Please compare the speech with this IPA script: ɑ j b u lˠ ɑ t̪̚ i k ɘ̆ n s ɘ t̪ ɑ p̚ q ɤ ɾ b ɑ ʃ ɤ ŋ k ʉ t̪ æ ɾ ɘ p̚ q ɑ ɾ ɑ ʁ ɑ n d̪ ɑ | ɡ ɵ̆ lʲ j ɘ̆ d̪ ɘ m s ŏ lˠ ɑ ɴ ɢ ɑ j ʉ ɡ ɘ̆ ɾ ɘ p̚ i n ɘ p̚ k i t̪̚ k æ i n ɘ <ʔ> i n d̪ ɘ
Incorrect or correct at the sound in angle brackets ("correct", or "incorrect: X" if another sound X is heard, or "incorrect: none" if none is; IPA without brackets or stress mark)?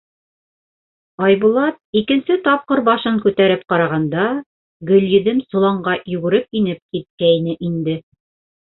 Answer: correct